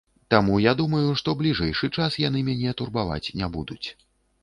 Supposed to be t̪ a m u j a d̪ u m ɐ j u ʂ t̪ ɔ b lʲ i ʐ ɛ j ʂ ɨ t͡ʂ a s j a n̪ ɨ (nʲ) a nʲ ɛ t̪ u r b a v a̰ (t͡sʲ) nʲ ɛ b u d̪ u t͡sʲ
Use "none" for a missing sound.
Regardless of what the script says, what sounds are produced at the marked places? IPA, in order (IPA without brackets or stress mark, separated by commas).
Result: mʲ, t͡sʲ